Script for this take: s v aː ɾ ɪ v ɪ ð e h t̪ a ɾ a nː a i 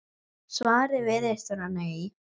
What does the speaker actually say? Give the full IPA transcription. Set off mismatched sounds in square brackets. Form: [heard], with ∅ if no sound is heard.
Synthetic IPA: s v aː ɾ ɪ v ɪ ð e [s] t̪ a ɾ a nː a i

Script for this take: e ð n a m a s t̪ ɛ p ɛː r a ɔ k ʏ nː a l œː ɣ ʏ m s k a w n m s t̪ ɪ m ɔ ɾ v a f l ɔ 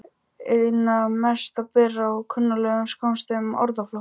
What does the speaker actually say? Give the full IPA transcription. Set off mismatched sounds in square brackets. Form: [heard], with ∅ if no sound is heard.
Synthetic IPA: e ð n a m [ɛ] s t̪ [a] p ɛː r a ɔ [kʰ] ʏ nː a l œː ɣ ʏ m s k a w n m s t̪ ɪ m ɔ ɾ [ð] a f l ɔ

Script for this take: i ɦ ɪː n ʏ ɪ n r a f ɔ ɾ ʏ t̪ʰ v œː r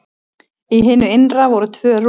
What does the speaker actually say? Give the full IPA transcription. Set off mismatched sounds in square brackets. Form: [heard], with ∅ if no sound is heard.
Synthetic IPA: i ɦ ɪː n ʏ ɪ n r a [v] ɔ ɾ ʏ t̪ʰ v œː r

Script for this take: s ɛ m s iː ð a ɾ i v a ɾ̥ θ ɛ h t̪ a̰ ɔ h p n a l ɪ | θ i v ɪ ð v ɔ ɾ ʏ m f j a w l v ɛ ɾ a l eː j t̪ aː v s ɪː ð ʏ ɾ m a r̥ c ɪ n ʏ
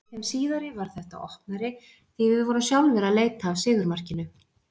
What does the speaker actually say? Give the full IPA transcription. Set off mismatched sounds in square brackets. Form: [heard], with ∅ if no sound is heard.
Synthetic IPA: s ɛ m s iː ð a ɾ [ɪ] v a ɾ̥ θ ɛ h t̪ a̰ ɔ h p n a [ɾ] ɪ | θ i v ɪ ð v ɔ ɾ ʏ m [s] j a w l v ɛ ɾ a l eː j t̪ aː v s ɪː ð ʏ ɾ m a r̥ c ɪ n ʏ

